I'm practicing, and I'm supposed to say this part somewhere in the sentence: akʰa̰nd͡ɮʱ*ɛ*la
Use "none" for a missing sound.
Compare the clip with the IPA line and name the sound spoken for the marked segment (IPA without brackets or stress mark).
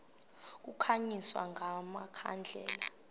ɛː